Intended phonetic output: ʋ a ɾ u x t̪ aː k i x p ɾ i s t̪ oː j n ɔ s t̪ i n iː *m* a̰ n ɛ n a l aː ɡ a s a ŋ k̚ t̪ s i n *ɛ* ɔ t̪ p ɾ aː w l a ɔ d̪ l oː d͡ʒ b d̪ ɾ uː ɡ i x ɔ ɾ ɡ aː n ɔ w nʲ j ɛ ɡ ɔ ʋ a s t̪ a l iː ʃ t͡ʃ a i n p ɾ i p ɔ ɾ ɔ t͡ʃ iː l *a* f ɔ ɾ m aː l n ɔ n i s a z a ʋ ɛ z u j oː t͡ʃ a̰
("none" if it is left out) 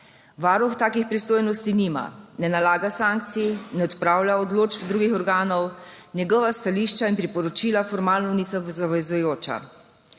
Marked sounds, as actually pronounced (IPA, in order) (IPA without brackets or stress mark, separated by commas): m, ɛ, a